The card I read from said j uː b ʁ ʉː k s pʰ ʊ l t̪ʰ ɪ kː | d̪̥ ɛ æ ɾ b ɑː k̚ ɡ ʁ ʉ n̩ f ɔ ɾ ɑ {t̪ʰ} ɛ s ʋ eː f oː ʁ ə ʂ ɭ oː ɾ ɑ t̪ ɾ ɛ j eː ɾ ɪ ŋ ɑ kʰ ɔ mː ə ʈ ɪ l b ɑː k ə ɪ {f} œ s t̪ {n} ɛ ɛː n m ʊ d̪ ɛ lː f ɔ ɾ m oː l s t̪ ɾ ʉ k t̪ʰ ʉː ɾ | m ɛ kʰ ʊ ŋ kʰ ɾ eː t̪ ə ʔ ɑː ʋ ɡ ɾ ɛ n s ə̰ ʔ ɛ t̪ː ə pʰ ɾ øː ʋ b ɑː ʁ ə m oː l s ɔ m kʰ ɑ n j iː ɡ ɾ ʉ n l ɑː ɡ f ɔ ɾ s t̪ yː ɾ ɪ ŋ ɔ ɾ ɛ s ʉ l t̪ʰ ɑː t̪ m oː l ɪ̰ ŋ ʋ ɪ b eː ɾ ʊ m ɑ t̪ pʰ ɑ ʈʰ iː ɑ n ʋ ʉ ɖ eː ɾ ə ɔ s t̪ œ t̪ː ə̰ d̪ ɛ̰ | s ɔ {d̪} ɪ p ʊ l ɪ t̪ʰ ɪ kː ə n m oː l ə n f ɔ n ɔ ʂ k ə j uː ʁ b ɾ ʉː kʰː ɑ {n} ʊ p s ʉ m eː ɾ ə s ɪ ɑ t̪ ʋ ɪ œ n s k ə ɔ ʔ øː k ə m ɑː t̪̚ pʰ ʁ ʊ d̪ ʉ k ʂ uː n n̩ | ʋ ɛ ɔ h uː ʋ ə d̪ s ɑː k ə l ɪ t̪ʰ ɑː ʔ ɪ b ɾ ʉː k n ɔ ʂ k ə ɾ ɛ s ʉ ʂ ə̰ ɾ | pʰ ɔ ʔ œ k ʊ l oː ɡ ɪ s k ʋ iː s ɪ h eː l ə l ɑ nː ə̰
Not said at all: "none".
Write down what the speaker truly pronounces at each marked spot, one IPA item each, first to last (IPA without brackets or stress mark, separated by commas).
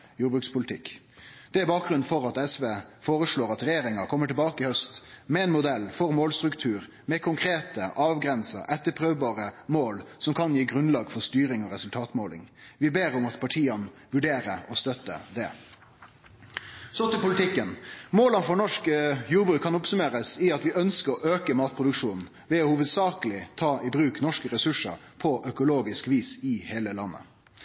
t̪, h, m, t̪, n